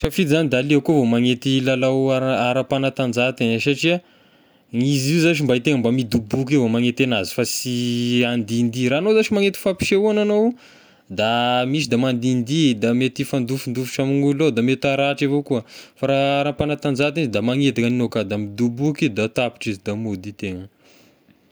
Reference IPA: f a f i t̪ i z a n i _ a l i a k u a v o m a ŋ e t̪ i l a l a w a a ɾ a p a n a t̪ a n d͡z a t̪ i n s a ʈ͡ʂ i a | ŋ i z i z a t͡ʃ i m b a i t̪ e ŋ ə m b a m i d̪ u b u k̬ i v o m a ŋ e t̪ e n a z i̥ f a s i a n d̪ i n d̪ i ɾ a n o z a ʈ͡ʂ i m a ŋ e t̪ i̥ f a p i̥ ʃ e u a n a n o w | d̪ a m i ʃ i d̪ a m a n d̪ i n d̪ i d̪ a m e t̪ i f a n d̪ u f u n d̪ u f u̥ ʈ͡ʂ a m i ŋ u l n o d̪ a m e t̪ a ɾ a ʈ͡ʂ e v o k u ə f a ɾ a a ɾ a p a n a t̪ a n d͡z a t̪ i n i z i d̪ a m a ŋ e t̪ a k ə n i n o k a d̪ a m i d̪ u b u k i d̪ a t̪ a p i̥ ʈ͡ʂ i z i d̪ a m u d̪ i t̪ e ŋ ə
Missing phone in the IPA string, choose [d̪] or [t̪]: d̪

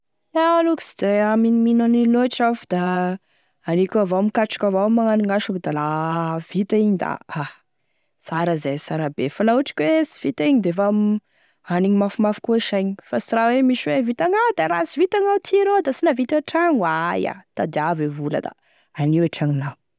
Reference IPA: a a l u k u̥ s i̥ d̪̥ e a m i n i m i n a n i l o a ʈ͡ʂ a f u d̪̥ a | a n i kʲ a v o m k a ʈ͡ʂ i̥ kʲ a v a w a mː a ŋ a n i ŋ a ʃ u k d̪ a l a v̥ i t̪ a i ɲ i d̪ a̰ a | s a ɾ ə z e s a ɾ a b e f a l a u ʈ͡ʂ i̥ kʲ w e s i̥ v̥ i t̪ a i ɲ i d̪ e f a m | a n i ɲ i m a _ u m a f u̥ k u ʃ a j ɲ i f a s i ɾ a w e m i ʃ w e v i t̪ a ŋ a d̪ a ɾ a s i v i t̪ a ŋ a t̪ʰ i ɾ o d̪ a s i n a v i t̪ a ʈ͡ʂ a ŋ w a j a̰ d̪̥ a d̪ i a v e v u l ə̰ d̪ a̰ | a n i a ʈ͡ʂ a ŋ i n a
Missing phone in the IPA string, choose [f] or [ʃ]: f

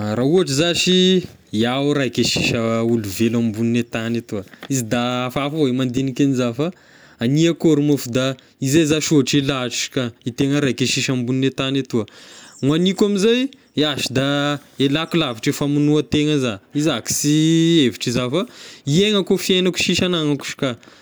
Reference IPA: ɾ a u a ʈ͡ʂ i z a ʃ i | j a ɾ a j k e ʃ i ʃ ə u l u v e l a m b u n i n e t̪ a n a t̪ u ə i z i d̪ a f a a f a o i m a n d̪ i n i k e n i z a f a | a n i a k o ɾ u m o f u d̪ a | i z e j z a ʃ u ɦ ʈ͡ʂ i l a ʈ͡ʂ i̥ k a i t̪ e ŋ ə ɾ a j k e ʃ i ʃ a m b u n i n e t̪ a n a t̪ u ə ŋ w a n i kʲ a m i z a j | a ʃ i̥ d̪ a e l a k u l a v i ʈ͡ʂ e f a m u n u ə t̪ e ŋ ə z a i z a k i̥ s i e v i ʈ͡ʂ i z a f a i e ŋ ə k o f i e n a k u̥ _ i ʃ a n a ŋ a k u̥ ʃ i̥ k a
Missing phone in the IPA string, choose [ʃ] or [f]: ʃ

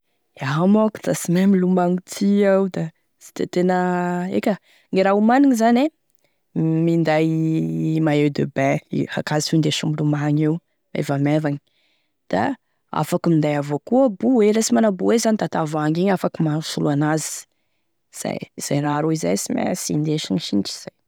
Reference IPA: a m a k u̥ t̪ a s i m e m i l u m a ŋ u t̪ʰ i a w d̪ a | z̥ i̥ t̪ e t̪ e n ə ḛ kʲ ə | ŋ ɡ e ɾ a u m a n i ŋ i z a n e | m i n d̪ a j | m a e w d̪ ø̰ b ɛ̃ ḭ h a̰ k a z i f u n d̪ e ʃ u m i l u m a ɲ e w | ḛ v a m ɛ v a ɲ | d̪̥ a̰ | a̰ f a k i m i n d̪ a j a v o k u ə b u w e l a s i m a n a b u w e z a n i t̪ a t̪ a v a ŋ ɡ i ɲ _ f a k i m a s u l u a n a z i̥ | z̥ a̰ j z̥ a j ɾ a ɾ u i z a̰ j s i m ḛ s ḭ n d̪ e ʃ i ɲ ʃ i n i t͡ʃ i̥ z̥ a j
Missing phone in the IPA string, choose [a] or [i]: a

